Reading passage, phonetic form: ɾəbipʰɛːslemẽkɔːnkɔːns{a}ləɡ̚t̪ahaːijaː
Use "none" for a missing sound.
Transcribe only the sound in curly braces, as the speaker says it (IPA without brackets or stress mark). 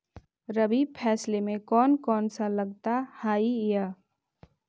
a